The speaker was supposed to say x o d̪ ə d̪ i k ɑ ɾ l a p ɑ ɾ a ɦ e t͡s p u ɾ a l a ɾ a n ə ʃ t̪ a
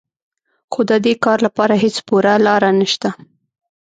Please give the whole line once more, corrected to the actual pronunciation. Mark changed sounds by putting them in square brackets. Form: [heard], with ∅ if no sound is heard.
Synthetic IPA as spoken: x o d̪ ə d̪ [e] k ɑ ɾ l a p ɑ ɾ a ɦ e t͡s p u ɾ a l [ɑ] ɾ a n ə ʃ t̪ a